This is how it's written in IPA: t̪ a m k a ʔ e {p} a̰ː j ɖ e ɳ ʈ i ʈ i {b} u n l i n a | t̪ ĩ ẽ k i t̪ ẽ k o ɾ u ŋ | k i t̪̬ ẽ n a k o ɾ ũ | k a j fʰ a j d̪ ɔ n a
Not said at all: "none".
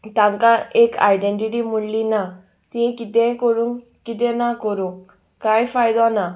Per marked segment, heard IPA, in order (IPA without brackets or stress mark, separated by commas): k, m